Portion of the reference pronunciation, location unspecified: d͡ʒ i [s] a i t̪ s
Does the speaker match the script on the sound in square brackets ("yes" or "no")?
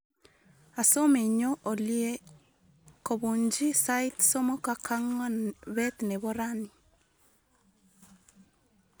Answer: yes